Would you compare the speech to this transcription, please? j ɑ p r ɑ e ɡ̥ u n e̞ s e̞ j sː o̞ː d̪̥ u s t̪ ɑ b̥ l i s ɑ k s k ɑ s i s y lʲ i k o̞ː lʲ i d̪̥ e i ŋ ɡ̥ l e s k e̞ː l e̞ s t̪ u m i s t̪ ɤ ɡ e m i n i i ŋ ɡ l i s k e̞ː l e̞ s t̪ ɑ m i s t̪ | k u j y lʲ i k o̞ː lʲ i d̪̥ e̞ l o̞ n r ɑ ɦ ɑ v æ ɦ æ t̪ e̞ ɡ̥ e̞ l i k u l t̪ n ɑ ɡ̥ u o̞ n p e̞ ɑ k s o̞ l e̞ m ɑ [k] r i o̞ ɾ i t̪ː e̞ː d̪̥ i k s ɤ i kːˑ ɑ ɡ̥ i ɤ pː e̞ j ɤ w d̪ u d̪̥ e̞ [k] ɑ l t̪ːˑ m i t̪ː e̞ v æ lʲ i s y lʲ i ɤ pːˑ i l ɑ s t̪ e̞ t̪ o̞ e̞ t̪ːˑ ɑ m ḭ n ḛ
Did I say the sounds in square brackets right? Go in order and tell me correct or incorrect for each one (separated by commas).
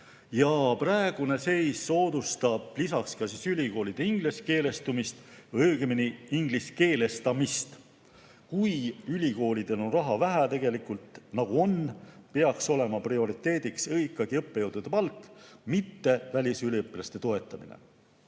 incorrect, incorrect